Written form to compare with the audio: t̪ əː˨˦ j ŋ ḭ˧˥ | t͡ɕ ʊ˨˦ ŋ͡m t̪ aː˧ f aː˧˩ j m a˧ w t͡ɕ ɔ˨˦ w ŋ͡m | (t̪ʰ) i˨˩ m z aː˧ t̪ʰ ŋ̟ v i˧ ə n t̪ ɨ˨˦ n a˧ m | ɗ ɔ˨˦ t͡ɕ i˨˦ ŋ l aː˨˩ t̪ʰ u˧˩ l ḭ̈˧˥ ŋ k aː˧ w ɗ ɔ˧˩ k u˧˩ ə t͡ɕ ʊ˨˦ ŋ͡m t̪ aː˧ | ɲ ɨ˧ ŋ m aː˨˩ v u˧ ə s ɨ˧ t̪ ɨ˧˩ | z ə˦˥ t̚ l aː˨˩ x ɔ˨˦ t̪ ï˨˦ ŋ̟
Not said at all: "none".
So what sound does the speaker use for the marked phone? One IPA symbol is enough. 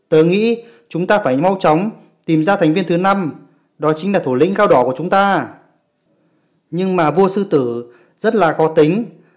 t̪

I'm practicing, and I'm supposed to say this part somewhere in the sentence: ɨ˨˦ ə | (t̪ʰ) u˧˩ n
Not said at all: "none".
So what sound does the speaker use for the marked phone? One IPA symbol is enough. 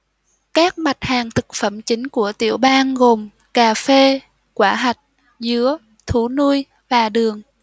t̪ʰ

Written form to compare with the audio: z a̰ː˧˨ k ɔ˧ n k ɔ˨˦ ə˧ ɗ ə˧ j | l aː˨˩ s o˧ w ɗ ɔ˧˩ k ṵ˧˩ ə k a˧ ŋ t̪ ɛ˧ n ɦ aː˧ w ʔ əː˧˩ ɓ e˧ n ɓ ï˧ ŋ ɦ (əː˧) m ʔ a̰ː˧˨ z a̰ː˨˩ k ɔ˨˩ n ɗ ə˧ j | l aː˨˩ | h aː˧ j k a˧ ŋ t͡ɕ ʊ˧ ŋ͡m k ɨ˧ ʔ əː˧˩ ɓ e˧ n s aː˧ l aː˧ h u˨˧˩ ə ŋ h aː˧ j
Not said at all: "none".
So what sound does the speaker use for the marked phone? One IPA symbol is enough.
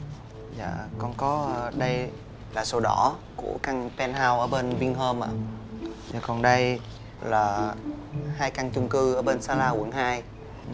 əː˧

